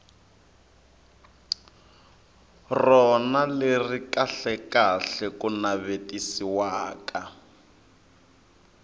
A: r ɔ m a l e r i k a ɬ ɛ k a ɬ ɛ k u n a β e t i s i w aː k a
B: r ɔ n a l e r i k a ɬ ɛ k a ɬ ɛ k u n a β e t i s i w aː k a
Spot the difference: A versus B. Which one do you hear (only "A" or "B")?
B